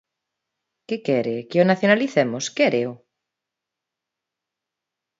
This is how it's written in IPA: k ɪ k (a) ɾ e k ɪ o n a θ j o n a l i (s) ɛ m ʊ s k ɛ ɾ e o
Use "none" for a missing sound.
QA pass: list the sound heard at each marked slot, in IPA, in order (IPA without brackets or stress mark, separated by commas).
ɛ, θ